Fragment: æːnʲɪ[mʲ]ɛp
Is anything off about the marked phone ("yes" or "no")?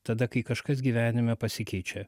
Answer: no